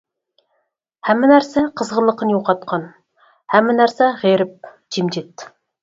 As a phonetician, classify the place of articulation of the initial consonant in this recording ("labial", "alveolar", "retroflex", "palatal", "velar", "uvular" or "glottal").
glottal